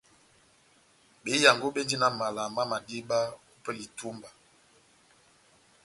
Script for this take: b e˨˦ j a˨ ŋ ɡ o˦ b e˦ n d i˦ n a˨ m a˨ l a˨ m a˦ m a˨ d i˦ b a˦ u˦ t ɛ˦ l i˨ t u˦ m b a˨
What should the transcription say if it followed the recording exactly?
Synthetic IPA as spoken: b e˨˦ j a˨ ŋ ɡ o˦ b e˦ n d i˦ n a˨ m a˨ l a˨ m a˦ m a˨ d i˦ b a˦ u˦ p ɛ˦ l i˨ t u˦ m b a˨